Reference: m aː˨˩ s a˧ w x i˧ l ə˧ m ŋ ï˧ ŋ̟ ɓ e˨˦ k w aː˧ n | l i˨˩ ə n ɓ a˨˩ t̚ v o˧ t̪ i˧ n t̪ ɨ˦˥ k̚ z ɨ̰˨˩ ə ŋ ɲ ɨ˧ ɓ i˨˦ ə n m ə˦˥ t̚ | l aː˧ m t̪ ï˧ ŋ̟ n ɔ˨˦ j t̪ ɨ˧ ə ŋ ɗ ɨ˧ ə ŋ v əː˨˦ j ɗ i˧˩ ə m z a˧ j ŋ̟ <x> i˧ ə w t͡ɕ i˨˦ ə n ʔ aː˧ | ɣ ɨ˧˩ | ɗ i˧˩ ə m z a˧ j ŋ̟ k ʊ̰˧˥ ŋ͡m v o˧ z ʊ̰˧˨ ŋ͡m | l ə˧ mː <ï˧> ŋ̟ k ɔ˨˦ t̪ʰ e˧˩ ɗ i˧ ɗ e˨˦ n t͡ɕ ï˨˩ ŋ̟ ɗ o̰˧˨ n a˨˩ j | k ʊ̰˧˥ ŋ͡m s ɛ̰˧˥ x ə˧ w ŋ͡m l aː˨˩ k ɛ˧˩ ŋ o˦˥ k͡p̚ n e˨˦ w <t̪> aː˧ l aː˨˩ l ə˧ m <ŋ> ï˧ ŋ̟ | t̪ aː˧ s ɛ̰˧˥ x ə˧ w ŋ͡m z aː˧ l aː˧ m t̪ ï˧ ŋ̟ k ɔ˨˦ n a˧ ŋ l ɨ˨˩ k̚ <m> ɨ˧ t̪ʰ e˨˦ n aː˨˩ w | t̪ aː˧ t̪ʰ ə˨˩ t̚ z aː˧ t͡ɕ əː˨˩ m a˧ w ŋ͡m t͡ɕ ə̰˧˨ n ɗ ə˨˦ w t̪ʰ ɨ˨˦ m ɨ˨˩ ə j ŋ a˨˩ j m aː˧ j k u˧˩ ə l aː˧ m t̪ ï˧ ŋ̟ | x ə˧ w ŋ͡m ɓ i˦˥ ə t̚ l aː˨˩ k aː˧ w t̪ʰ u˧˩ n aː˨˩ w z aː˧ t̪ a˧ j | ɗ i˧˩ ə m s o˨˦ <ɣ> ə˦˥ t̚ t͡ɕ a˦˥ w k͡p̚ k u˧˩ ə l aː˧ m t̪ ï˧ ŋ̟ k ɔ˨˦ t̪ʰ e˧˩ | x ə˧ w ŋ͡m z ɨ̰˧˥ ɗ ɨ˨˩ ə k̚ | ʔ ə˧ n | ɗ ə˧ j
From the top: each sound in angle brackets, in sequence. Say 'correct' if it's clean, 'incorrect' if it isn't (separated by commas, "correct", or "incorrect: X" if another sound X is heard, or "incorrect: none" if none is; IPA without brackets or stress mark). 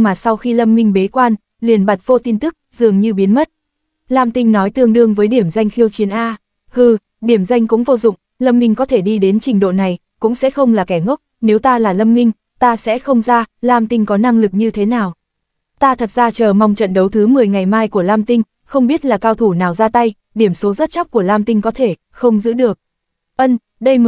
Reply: correct, correct, correct, correct, incorrect: ɲ, incorrect: z